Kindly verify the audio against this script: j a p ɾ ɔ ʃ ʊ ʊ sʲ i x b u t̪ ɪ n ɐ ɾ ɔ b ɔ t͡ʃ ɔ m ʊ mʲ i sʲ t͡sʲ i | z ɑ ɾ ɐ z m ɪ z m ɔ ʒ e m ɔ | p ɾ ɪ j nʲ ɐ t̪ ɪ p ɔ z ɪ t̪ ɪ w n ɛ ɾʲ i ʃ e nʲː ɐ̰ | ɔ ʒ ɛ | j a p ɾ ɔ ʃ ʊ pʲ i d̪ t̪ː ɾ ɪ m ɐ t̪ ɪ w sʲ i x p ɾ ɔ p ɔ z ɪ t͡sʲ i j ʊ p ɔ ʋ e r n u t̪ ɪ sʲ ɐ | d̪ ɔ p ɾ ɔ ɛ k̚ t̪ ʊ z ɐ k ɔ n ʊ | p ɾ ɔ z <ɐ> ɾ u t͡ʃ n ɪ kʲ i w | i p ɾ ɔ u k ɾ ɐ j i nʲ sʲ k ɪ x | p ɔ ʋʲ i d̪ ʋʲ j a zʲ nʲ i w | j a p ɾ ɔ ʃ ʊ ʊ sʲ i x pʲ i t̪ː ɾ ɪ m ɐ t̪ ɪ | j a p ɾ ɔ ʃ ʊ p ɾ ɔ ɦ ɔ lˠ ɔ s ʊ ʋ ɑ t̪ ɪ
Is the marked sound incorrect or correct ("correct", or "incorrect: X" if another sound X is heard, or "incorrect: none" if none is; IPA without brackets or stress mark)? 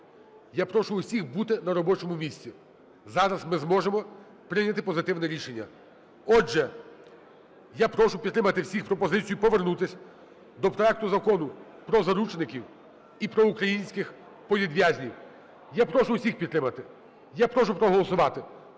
correct